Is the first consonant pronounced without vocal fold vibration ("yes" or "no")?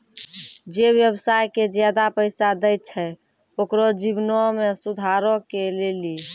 no